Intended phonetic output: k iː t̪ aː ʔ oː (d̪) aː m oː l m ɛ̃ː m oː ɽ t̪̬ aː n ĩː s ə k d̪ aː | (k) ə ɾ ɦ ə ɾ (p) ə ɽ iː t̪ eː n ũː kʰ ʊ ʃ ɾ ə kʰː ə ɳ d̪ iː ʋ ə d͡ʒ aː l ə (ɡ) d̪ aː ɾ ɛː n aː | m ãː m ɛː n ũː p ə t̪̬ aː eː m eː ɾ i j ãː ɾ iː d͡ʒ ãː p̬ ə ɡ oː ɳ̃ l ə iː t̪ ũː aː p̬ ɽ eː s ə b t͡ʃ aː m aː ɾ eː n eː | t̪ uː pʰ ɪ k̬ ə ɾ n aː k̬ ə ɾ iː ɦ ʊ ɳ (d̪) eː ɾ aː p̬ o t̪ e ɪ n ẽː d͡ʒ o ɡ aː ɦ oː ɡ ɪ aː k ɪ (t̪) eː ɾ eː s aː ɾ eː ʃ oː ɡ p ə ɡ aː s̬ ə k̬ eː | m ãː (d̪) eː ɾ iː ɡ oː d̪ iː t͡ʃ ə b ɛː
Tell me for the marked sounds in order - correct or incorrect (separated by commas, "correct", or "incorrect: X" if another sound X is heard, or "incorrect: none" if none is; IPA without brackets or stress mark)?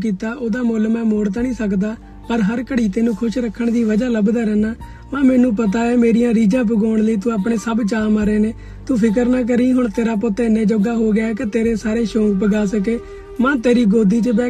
correct, incorrect: p, incorrect: k, incorrect: b, incorrect: t̪, correct, incorrect: t̪